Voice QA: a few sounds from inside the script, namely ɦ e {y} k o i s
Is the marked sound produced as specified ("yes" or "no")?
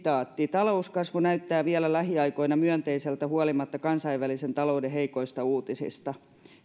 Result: no